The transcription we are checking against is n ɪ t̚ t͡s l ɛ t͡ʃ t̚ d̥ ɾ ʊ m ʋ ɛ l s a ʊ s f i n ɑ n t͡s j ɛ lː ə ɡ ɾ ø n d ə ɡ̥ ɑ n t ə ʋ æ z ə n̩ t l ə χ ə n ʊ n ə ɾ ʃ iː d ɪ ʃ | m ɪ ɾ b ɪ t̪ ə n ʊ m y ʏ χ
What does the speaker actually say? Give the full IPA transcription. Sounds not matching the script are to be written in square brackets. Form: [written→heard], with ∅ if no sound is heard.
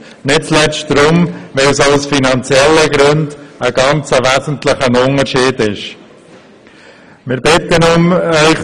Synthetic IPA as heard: n ɪ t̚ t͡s l ɛ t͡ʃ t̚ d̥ ɾ ʊ m ʋ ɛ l s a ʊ s f i n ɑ n t͡s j ɛ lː ə ɡ ɾ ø n d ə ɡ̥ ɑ n [t→t͡s] ə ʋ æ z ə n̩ t l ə χ ə n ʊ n ə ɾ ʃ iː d ɪ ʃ | m ɪ ɾ b ɪ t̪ ə n ʊ m [y→œ] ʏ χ